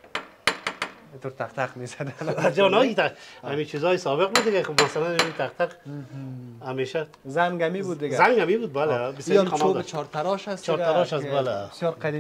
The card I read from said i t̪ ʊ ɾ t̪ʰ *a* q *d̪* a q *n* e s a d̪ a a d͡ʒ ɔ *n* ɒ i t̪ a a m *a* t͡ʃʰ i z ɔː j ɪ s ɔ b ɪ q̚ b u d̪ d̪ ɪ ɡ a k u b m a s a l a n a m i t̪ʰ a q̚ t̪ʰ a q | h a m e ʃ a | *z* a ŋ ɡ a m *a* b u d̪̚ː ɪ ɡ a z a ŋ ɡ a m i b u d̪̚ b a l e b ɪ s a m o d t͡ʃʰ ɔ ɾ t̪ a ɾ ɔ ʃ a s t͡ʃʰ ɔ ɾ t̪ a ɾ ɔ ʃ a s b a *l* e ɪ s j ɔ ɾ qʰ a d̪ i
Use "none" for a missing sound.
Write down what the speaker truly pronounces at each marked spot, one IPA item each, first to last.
a, t̪, m, n, i, z, i, l

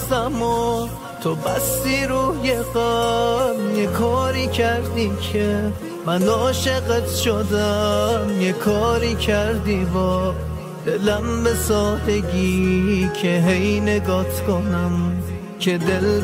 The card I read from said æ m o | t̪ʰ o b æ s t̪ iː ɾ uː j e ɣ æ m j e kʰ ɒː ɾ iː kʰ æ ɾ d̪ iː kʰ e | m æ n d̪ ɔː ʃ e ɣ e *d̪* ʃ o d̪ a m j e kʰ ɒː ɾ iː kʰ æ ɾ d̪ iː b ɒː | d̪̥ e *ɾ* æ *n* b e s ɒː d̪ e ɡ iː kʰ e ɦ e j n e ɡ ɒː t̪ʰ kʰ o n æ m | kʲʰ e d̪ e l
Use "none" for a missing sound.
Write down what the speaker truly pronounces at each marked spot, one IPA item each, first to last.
t̪, l, m

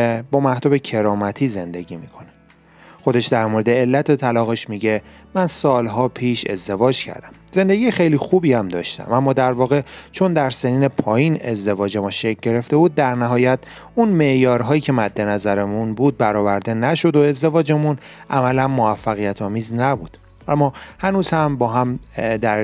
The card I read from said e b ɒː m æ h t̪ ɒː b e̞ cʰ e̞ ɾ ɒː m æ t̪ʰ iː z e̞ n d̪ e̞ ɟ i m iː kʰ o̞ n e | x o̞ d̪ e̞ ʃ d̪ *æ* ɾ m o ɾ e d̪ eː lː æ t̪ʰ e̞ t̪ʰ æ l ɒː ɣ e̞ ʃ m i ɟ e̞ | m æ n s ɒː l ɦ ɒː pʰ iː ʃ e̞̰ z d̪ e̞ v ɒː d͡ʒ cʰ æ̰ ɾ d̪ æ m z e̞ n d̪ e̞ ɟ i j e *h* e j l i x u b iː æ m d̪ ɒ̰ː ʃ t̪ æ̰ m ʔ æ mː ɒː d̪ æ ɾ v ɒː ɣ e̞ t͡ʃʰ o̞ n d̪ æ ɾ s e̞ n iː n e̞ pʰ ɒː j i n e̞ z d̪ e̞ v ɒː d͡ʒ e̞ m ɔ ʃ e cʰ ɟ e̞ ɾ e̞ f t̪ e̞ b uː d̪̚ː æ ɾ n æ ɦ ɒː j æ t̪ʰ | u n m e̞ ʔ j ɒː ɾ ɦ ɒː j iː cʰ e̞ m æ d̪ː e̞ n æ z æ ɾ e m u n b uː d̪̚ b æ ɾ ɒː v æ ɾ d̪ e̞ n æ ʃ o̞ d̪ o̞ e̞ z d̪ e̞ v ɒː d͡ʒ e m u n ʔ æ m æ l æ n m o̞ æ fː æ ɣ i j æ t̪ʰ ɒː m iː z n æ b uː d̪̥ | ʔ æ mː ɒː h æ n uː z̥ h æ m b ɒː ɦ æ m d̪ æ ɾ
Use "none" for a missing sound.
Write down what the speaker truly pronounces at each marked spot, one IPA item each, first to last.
æ, x

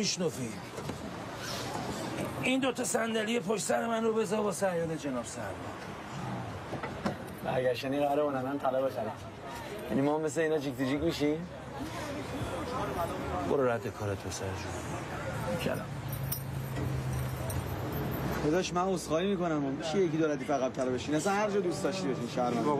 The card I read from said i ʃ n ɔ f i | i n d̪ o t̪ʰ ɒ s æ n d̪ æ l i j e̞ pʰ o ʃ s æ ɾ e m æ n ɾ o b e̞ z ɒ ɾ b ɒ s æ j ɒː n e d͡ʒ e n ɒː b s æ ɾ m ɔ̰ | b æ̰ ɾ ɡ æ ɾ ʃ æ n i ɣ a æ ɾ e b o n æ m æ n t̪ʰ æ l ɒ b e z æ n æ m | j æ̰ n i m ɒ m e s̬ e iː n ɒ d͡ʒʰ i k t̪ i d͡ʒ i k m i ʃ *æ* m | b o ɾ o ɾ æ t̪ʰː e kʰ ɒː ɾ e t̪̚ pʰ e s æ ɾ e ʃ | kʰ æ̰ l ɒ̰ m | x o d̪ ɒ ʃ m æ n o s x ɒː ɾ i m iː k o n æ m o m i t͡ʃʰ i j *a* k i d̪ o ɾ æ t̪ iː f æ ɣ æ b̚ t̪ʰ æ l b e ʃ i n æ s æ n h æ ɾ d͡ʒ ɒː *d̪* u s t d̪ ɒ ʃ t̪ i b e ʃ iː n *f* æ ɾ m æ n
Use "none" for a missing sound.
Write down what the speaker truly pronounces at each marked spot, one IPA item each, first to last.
i, e, d̪, ʃ

